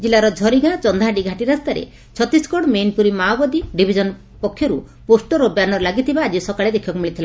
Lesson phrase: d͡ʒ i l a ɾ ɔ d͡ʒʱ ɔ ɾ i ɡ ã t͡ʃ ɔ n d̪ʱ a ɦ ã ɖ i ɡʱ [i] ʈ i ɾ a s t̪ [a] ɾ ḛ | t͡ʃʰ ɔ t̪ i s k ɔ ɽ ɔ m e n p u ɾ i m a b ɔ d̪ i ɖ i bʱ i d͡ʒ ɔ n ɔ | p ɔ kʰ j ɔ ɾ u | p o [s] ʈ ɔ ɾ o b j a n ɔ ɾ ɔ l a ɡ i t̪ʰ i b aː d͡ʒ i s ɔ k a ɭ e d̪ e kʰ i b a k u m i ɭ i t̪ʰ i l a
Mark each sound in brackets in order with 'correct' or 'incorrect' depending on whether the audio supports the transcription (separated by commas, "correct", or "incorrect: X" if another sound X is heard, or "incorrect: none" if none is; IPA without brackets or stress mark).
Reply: incorrect: a, correct, correct